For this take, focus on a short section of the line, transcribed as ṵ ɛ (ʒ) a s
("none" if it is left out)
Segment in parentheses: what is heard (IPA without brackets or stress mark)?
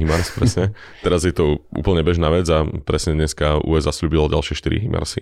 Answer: z